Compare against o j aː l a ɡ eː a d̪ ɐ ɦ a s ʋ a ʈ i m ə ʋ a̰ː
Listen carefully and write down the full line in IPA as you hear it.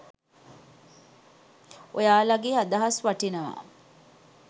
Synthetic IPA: o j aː l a ɡ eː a d̪ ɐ ɦ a s ʋ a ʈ i n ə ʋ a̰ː